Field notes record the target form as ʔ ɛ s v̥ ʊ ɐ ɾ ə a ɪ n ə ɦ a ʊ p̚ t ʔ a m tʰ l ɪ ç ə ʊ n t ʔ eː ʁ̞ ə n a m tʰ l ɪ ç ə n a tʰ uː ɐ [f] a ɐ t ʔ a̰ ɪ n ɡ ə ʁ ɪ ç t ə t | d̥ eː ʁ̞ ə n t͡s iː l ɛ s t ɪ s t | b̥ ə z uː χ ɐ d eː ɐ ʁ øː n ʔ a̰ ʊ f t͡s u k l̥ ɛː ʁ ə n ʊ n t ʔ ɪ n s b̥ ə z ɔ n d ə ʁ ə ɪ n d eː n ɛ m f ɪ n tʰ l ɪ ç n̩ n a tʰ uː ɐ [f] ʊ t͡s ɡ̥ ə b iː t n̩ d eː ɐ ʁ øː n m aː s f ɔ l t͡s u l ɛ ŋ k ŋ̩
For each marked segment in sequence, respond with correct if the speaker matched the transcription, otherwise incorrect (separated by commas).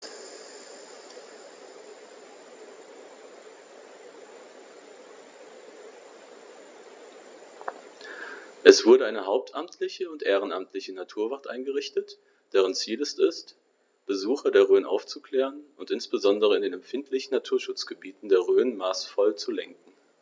incorrect, incorrect